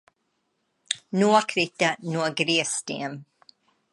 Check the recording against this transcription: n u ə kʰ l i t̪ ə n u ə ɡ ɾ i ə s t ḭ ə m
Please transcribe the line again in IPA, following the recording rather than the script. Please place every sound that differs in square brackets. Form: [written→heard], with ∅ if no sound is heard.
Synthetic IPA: n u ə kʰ [l→ɾ] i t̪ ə n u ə ɡ ɾ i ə s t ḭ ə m